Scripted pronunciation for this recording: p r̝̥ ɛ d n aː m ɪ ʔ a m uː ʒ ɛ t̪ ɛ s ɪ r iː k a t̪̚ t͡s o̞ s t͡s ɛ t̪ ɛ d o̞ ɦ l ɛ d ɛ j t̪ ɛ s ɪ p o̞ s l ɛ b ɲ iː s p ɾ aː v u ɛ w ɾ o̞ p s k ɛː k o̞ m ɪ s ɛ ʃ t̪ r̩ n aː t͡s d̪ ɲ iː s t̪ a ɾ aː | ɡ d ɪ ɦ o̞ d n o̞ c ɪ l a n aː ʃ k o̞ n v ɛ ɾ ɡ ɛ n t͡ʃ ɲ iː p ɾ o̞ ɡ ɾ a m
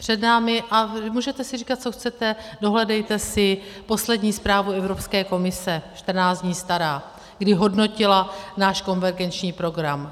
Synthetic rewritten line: p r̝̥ ɛ d n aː m ɪ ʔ a m uː ʒ ɛ t̪ ɛ s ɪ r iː k a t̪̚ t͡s o̞ x t͡s ɛ t̪ ɛ d o̞ ɦ l ɛ d ɛ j t̪ ɛ s ɪ p o̞ s l ɛ d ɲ iː s p ɾ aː v u ɛ v ɾ o̞ p s k ɛː k o̞ m ɪ s ɛ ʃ t̪ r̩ n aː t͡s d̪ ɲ iː s t̪ a ɾ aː | ɡ d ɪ ɦ o̞ d n o̞ c ɪ l a n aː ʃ k o̞ n v ɛ ɾ ɡ ɛ n t͡ʃ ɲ iː p ɾ o̞ ɡ ɾ a m

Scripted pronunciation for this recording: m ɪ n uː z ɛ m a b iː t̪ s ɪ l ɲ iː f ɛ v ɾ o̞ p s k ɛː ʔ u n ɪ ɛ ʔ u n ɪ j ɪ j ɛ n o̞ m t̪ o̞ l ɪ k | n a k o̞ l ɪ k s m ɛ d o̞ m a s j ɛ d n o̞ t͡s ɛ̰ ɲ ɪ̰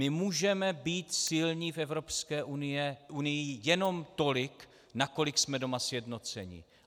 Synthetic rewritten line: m ɪ m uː ʒ ɛ m ɛ b iː t̪ s ɪ l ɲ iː f ɛ v ɾ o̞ p s k ɛː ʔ u n ɪ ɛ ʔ u n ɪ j ɪ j ɛ n o̞ m t̪ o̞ l ɪ k | n a k o̞ l ɪ k s m ɛ d o̞ m a s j ɛ d n o̞ t͡s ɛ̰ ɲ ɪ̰

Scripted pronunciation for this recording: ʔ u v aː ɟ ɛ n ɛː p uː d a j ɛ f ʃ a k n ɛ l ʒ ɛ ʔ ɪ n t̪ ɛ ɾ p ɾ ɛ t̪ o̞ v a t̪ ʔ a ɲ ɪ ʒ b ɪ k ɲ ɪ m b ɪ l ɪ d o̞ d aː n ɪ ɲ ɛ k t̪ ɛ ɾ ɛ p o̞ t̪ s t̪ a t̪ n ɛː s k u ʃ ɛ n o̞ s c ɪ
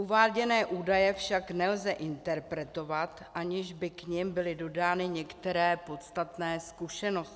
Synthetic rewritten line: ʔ u v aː ɟ ɛ n ɛː ʔ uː d a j ɛ f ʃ a k n ɛ l z ɛ ʔ ɪ n t̪ ɛ ɾ p ɾ ɛ t̪ o̞ v a t̪ ʔ a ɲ ɪ ʒ b ɪ k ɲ ɪ m b ɪ l ɪ d o̞ d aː n ɪ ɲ ɛ k t̪ ɛ ɾ ɛː p o̞ t̪ s t̪ a t̪ n ɛː s k u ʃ ɛ n o̞ s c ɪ

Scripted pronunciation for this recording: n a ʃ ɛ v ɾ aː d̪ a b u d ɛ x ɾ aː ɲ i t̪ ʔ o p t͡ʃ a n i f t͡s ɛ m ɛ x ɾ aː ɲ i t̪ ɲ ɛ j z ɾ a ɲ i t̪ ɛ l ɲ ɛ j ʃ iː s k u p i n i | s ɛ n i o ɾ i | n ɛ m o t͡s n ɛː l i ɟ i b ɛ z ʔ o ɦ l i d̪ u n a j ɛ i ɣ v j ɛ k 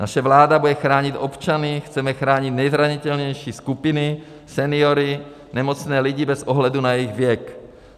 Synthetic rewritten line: n a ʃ ɛ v l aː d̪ a b u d ɛ x ɾ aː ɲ i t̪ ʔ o p t͡ʃ a n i x t͡s ɛ m ɛ x ɾ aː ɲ i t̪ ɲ ɛ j z ɾ a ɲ i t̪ ɛ l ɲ ɛ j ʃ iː s k u p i n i | s ɛ n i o ɾ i | n ɛ m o t͡s n ɛː l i ɟ i b ɛ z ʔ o ɦ l ɛ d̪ u n a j ɛ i ɣ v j ɛ k

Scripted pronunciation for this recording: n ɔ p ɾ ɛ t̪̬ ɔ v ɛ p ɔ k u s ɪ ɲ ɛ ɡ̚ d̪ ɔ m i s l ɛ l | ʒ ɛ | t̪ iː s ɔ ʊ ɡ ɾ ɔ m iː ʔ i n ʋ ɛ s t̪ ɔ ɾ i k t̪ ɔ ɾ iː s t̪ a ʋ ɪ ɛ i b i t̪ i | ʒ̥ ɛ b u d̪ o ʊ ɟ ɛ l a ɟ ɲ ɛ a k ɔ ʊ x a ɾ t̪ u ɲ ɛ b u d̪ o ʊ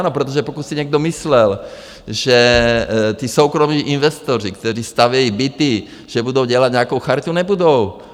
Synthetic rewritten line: n ɔ p ɾ ɛ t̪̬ ɔ ʒ ɛ p ɔ k u s i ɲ ɛ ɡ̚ d̪ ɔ m i s l ɛ l | ʒ ɛ | t̪ iː s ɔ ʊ k ɾ ɔ m iː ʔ i n ʋ ɛ s t̪ ɔ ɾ i k t̪ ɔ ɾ iː s t̪ a ʋ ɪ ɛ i b i t̪ i | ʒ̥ ɛ b u d̪ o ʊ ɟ ɛ l a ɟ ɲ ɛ a k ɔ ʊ x a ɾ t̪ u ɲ ɛ b u d̪ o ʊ

